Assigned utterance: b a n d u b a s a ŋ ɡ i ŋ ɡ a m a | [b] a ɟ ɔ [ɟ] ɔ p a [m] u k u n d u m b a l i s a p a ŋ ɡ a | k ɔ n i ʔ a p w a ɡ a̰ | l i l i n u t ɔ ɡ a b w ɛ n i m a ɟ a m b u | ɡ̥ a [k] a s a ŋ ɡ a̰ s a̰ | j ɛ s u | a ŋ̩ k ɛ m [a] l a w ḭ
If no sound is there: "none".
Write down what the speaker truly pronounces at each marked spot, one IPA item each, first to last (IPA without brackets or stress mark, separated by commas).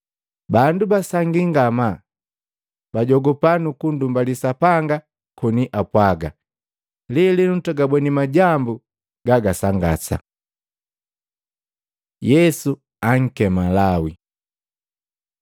b, ɡ, n, ɡ, a